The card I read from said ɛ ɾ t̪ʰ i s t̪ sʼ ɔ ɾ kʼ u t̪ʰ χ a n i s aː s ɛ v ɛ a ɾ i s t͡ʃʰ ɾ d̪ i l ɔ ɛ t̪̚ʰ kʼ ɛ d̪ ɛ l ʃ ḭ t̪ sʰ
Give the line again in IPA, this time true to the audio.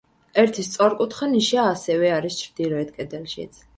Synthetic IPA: ɛ ɾ t̪ʰ i s t̪ sʼ ɔ ɾ kʼ u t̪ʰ χ a n i ʃ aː s ɛ v ɛ a ɾ i s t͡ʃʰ ɾ d̪ i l ɔ ɛ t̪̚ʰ kʼ ɛ d̪ ɛ l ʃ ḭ t̪ sʰ